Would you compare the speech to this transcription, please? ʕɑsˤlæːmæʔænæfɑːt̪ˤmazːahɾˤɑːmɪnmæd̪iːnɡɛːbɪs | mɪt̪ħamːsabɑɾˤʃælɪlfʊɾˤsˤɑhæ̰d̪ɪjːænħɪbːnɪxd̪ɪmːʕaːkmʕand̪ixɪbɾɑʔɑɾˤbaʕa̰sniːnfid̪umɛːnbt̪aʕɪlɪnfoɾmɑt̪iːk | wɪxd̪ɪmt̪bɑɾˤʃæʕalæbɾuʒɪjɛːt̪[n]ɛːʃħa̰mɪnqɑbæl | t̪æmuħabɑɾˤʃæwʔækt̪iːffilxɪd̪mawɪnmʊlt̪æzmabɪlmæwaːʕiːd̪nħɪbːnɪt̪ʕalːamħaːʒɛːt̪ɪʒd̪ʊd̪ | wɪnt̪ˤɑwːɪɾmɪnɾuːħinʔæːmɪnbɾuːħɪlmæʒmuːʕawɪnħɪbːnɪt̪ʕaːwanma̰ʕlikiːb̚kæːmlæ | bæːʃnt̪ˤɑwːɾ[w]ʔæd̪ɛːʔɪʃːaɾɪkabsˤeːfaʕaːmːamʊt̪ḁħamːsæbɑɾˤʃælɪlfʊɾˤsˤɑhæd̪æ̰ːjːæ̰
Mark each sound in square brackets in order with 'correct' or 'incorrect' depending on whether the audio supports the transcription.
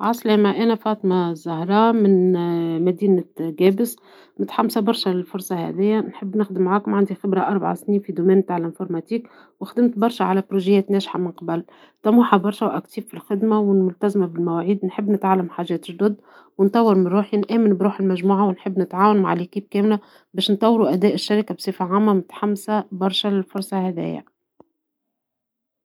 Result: correct, incorrect: u

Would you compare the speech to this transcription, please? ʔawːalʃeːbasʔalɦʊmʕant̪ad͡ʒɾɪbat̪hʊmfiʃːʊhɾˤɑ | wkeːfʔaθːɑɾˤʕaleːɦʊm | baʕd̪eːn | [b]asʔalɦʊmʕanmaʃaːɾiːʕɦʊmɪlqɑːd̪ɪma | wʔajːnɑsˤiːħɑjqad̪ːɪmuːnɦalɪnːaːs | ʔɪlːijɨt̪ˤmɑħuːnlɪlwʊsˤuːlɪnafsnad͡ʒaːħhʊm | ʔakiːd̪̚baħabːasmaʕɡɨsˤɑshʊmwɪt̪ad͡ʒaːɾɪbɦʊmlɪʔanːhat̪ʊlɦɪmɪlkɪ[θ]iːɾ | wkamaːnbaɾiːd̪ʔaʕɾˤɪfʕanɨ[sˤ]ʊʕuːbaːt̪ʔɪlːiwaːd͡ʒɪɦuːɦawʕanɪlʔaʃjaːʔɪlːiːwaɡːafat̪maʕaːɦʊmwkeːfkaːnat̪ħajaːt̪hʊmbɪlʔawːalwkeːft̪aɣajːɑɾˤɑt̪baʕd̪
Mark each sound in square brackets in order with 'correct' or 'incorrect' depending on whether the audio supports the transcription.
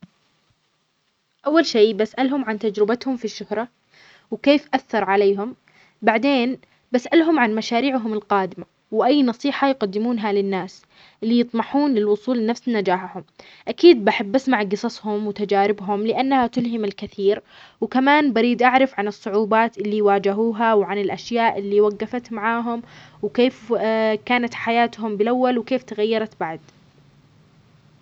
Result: correct, correct, incorrect: sˤː

